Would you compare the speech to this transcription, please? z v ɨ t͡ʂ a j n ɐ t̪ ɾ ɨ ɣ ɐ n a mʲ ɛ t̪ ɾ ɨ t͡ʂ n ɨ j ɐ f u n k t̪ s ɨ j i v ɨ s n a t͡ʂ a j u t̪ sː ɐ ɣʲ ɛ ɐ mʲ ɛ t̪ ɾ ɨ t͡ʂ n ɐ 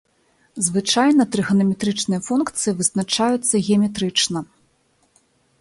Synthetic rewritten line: z v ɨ t͡ʂ a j n ɐ t̪ ɾ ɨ ɣ ɐ n ɐ mʲ ɛ t̪ ɾ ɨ t͡ʂ n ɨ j ɐ f u n k t̪ s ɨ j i v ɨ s n a t͡ʂ a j u t̪ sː ɐ ɣʲ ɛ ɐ mʲ ɛ t̪ ɾ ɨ t͡ʂ n ɐ